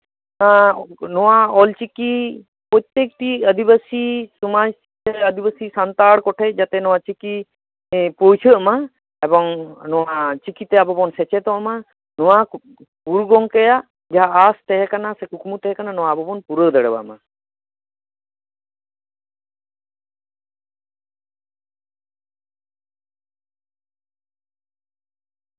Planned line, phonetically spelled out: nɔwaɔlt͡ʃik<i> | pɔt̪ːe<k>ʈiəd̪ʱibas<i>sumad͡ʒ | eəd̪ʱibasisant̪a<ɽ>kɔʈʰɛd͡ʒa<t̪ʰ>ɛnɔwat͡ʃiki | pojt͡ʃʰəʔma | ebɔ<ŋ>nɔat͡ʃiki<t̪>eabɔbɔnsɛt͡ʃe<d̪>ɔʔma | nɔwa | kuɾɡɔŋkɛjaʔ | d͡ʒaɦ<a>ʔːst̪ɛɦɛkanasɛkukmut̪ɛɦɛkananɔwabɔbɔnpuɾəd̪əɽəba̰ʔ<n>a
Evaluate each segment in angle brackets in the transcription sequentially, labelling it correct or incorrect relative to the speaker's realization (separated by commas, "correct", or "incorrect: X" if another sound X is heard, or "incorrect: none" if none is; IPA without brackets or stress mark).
correct, correct, correct, correct, incorrect: t̪, correct, correct, incorrect: t̪, correct, incorrect: m